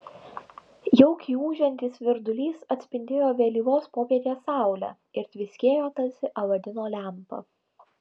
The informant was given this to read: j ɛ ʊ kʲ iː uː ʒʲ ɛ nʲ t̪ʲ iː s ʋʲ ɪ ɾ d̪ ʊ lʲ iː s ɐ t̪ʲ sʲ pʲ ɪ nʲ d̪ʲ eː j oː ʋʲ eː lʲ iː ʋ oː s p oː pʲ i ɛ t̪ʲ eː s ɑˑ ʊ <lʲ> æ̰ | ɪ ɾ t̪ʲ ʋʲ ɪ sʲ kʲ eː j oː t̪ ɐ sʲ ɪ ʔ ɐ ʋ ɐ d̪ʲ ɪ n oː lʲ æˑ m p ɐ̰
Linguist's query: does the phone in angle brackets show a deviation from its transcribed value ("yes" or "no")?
no